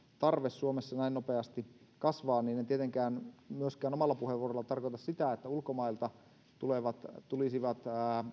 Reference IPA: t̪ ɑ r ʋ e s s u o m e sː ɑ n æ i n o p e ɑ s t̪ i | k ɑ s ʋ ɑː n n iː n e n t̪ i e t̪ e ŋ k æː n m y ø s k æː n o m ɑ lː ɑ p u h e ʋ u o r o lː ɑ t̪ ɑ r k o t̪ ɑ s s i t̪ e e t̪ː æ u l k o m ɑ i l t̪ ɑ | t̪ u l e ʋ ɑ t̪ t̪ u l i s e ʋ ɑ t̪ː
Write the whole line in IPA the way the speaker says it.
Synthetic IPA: t̪ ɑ r ʋ e s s u o m e sː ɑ n æ i n o p e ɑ s t̪ i | k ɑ s ʋ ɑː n n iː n e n t̪ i e t̪ e ŋ k æː n m y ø s k æː n o m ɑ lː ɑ p u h e ʋ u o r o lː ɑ t̪ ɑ r k o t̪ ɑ s s i t̪ æ e t̪ː æ u l k o m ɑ i l t̪ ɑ | t̪ u l e ʋ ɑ t̪ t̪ u l i s i ʋ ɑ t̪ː

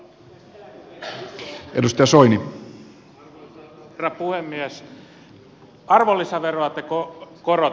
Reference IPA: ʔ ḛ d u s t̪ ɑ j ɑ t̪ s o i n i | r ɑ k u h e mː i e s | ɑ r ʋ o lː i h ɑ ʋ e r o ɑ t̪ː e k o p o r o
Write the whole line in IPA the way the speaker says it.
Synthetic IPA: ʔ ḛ d u s t̪ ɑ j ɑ s o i n i | r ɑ p u h e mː i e s | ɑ r ʋ o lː i s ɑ ʋ e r o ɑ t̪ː e k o k o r o

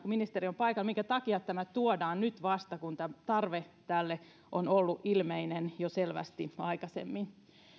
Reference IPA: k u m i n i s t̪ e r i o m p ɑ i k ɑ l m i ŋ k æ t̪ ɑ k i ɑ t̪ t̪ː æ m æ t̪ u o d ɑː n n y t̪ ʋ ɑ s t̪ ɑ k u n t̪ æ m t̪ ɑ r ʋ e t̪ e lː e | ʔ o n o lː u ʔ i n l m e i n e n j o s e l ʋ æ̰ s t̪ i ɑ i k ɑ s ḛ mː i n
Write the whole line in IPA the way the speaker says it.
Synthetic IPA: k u m i n i s t̪ e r i o m p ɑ i k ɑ l m i ŋ k æ t̪ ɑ k i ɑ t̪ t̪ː æ m æ t̪ u o d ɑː n n y t̪ ʋ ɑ s t̪ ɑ k u n t̪ æ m t̪ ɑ r ʋ e t̪ æ lː e | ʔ o n o lː u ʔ i l m e i n e n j o s e l ʋ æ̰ s t̪ i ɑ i k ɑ s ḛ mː i n

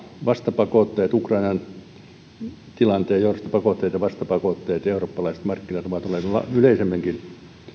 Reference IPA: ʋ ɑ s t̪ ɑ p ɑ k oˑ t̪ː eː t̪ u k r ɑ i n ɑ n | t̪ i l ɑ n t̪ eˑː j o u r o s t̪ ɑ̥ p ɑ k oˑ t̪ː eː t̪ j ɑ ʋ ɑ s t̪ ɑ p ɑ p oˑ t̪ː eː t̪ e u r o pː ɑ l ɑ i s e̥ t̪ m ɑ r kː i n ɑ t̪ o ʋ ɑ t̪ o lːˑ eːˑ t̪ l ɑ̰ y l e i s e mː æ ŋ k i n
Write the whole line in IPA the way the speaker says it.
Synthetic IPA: ʋ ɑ s t̪ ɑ p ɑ k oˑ t̪ː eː t̪ u k r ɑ i n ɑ n | t̪ i l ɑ n t̪ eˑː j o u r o s t̪ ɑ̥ p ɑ k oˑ t̪ː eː t̪ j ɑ ʋ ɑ s t̪ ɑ p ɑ k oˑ t̪ː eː t̪ e u r o pː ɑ l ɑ i s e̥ t̪ m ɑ r kː i n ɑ t̪ o ʋ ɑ t̪ o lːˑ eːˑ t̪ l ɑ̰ y l e i s e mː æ ŋ k i n

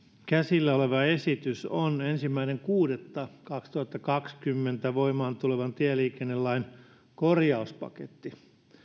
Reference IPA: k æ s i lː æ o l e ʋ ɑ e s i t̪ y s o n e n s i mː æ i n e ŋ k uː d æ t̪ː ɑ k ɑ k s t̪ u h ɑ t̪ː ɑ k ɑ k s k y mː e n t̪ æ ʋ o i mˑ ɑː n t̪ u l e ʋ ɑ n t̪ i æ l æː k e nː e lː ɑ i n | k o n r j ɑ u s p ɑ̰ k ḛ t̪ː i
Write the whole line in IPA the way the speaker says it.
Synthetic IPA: k æ s i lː æ o l e ʋ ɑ e s i t̪ y s o n e n s i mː æ i n e ŋ k uː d e t̪ː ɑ k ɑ k s t̪ u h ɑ t̪ː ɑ k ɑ k s k y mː e n t̪ æ ʋ o i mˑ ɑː n t̪ u l e ʋ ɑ n t̪ i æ l iː k e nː e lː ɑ i n | k o r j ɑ u s p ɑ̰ k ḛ t̪ː i

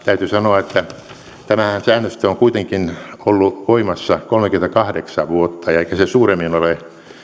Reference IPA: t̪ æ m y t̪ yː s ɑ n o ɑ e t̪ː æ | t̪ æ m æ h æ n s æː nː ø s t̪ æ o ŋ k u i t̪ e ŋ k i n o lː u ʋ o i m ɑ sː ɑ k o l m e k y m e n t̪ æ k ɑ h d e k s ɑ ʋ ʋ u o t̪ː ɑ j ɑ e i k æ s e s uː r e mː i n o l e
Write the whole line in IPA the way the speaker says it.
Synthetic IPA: t̪ æ y t̪ y s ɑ n o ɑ e t̪ː æ | t̪ æ m æ h æ n s æː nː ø s t̪ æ o ŋ k u i t̪ e ŋ k i n o lː u ʋ o i m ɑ sː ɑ k o l m e k y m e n t̪ æ k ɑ h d e k s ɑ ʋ ʋ u o t̪ː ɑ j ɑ e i k æ s e s uː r e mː i n o l e

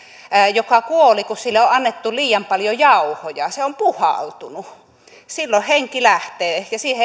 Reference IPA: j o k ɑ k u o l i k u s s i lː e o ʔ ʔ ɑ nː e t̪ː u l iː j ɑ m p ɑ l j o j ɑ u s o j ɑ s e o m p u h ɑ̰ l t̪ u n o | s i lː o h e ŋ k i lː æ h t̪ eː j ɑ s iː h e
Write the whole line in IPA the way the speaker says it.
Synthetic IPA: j o k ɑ k u o l i k u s s i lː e o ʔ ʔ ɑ nː e t̪ː u l iː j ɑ m p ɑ l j o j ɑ u h o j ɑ s e o m p u h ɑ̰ l t̪ u n u | s i lː o h e ŋ k i l æ h t̪ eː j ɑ s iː h e

